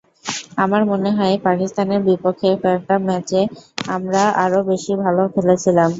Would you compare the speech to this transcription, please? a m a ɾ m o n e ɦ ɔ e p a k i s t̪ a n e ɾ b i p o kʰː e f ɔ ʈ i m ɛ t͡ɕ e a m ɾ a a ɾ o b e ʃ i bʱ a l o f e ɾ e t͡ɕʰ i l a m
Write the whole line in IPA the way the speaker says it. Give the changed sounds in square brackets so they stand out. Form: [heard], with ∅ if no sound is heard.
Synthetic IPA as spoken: a m a ɾ m o n e ɦ ɔ e p a k i s t̪ a n e ɾ b i p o kʰː e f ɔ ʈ [a] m ɛ t͡ɕ e a m ɾ a a ɾ o b e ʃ i bʱ a l o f e [l] e t͡ɕʰ i l a m